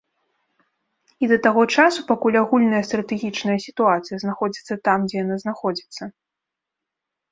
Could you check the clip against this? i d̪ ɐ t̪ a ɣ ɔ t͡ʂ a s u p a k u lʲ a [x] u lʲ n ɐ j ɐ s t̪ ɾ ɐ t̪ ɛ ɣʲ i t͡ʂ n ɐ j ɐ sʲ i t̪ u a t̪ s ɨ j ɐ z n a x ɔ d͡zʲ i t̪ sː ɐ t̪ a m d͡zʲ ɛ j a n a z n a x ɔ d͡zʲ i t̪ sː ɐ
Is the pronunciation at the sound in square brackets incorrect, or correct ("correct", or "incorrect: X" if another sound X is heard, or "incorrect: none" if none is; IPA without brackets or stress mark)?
incorrect: ɣ